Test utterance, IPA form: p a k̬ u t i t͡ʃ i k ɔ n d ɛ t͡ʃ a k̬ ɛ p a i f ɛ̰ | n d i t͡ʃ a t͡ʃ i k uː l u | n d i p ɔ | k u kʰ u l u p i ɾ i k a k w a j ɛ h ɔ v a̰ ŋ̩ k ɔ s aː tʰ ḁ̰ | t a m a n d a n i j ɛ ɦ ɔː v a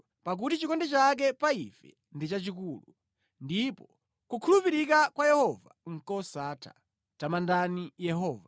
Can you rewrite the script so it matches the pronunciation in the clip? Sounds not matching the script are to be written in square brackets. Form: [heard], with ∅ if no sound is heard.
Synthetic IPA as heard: p a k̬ u t i t͡ʃ i k ɔ n d ɛ t͡ʃ a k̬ ɛ p a i f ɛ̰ | n d i t͡ʃ a t͡ʃ i k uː l u | n d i p ɔ | k u kʰ u l u p i ɾ i k a k w a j ɛ h ɔ v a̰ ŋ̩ k ɔ s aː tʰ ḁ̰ | t a m a n d a n i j ɛ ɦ ɔː v a